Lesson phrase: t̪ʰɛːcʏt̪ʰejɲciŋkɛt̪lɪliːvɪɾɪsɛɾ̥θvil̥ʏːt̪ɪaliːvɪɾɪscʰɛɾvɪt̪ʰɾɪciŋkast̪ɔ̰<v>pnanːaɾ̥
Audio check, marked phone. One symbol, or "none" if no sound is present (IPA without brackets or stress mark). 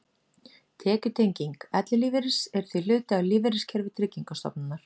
none